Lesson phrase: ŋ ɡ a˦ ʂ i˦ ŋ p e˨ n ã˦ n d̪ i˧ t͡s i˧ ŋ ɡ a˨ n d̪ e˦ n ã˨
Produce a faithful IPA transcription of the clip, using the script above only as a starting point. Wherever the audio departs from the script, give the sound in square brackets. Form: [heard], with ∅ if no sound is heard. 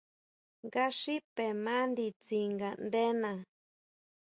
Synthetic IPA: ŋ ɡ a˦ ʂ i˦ [∅] p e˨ [m] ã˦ n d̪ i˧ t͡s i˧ ŋ ɡ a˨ n d̪ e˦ n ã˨